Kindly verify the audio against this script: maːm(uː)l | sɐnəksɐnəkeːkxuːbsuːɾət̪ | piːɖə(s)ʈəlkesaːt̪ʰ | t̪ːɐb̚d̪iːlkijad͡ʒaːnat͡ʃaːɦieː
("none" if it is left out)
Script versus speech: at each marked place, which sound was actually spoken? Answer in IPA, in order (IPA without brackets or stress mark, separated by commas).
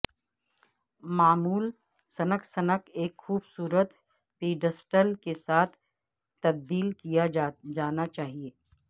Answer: uː, s